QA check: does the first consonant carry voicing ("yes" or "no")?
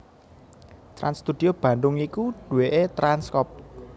no